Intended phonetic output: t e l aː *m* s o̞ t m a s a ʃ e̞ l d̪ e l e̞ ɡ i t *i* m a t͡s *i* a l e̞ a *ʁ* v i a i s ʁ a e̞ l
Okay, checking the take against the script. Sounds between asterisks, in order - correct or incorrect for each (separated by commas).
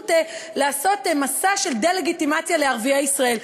incorrect, correct, incorrect, correct